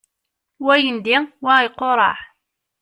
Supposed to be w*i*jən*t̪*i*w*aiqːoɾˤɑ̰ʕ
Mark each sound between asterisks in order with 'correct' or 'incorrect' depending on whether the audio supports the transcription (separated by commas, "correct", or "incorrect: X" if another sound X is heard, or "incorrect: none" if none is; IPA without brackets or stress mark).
incorrect: æ, incorrect: d̪, correct